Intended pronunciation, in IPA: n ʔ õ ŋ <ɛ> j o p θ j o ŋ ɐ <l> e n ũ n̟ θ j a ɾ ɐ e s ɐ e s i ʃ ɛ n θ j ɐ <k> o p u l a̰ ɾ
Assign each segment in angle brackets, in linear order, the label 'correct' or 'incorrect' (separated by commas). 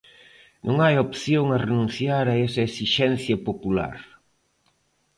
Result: incorrect, incorrect, incorrect